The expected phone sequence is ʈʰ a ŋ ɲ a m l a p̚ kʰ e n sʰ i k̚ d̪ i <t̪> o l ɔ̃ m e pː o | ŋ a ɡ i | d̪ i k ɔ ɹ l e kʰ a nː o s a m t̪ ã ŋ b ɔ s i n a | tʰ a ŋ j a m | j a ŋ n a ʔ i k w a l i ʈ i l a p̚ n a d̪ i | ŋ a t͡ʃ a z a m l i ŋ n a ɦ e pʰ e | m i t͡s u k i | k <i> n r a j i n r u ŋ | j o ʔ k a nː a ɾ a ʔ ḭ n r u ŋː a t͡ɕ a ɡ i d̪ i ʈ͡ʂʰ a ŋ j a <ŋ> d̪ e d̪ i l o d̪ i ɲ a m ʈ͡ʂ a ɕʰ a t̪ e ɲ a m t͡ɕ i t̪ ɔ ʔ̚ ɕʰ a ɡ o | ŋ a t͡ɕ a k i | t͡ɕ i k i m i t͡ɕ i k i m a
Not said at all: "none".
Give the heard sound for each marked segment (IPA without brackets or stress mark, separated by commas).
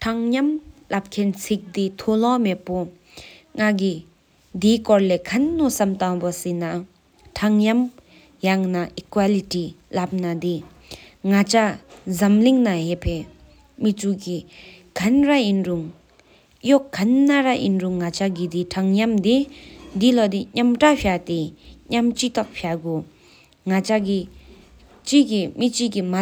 t̪ʰ, a, m